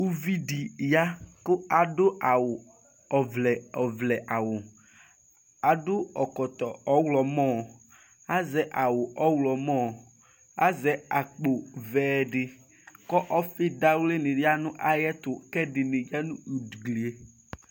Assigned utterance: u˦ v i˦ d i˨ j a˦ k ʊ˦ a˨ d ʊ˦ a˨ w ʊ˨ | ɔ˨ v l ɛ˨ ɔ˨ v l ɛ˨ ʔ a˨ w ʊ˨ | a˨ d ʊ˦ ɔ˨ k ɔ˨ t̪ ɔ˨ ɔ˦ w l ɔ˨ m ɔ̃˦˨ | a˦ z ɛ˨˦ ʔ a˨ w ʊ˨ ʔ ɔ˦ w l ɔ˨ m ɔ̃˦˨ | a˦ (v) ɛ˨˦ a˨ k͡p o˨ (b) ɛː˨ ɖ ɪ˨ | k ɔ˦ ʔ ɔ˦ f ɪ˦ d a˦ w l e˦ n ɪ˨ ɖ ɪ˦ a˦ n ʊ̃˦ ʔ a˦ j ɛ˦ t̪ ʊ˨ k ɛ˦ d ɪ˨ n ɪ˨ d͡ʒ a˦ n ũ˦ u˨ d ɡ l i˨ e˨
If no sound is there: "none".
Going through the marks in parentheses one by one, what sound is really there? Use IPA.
z, v

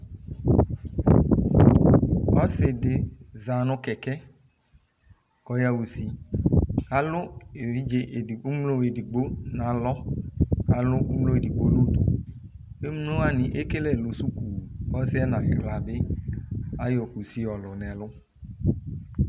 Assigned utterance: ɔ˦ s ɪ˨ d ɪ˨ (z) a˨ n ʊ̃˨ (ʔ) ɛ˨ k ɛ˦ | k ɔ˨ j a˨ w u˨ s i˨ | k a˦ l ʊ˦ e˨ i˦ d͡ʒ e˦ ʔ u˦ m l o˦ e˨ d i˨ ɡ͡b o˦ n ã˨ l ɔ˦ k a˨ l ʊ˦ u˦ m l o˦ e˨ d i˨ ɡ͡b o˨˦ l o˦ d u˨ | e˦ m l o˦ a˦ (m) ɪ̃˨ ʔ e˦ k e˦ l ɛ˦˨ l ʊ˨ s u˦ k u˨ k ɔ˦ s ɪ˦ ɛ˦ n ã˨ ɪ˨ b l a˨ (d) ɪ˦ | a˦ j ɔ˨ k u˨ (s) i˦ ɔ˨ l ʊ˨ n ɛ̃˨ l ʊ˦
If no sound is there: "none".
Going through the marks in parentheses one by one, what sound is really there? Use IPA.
z, k, n, b, s

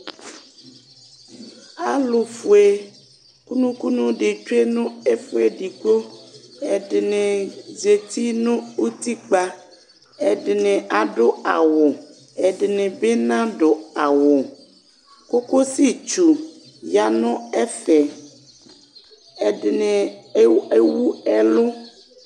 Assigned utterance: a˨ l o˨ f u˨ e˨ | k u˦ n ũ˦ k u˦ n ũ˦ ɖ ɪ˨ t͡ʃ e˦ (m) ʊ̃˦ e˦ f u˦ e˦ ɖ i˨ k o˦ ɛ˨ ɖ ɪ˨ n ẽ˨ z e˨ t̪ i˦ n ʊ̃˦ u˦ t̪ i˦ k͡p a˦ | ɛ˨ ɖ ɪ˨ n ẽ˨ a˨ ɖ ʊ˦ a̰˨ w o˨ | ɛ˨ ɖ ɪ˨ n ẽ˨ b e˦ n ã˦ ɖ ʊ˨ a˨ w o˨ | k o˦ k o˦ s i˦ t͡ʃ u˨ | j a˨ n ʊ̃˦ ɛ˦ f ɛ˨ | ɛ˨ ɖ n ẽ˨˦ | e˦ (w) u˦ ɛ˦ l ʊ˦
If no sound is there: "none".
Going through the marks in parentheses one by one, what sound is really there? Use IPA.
n, w

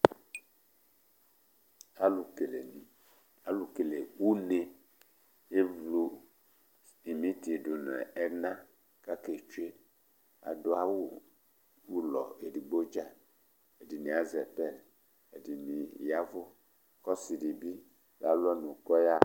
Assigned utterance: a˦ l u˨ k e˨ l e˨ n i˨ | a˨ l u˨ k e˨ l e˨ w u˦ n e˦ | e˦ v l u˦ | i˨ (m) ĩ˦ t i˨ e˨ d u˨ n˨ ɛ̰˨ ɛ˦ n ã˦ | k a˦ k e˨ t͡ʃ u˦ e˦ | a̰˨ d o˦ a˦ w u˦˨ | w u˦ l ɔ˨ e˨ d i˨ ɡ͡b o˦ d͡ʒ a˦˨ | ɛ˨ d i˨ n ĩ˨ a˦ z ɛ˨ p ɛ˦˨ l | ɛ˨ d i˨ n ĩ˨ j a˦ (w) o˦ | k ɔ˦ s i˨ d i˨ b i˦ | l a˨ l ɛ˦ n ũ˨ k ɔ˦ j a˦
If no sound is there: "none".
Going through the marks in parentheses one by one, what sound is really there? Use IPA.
m, v

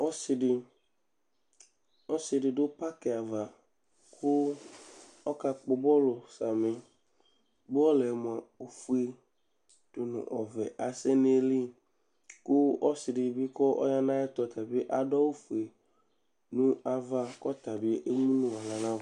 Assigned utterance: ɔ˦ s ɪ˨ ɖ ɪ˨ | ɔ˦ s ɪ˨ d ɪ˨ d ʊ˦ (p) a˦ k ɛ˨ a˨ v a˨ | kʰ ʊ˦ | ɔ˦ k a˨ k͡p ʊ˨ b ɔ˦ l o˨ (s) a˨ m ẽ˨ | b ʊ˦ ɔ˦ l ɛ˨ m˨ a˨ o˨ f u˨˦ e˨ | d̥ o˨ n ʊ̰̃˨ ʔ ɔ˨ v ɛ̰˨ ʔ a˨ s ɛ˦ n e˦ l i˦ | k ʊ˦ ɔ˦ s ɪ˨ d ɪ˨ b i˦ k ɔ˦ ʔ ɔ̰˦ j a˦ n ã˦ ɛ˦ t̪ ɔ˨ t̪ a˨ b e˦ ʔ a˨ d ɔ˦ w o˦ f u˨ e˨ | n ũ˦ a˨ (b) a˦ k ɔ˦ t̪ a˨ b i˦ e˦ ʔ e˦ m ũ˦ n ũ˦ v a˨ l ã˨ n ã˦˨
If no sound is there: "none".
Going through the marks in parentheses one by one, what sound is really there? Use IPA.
p, s, v

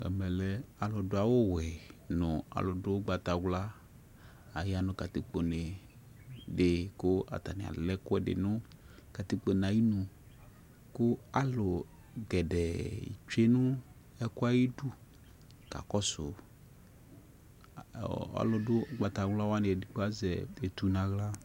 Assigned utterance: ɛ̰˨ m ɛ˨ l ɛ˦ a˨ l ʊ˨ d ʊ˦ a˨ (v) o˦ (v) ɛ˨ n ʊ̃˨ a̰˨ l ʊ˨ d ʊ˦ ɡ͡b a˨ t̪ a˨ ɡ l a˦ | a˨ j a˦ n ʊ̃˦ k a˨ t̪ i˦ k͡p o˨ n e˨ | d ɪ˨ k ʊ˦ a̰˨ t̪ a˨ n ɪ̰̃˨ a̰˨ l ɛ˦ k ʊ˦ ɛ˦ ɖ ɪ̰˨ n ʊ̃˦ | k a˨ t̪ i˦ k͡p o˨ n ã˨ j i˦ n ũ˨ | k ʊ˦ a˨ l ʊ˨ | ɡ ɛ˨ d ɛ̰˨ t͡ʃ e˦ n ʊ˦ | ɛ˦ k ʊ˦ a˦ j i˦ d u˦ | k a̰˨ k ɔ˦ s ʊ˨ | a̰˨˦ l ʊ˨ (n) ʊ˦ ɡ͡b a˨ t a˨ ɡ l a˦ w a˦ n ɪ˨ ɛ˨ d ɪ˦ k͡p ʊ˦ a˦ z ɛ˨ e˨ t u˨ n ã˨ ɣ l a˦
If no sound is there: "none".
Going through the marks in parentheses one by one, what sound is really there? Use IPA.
w, w, d

